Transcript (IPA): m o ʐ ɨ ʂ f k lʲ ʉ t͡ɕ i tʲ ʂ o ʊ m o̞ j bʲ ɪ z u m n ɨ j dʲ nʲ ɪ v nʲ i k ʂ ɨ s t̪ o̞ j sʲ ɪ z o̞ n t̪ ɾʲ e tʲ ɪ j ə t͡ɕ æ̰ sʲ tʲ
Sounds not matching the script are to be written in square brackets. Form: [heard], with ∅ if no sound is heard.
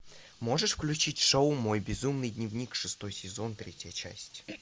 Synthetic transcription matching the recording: m o ʐ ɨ ʂ f k lʲ ʉ t͡ɕ i tʲ ʂ o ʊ m o̞ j bʲ ɪ z u m n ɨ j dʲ nʲ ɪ v nʲ i k ʂ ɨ s t̪ o̞ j sʲ ɪ z o̞ n t̪ ɾʲ e tʲ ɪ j ə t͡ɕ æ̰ sʲ tʲ